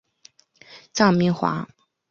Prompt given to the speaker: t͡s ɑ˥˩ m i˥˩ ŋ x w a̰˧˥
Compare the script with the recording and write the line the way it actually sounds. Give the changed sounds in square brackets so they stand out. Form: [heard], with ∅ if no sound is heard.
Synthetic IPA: t͡s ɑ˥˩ m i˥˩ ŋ x w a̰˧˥

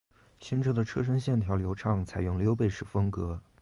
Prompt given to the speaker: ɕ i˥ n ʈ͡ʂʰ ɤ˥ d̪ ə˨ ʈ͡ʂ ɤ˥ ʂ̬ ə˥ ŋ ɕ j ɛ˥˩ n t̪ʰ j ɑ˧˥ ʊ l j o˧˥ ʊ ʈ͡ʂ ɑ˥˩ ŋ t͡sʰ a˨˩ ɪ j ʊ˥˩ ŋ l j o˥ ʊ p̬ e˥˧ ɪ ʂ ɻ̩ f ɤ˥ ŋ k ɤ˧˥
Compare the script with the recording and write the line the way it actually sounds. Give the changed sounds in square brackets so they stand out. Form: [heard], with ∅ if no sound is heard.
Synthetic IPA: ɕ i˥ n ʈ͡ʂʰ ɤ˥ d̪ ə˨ [ʈ͡ʂʰ] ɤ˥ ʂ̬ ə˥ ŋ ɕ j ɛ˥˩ n t̪ʰ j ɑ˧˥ ʊ l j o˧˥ ʊ [ʈ͡ʂʰ] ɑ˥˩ ŋ t͡sʰ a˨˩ ɪ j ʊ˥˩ ŋ l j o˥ ʊ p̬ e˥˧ ɪ ʂ ɻ̩ f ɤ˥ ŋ k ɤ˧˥

